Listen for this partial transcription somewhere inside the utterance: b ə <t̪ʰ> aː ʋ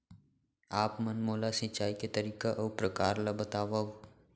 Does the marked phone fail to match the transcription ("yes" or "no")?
yes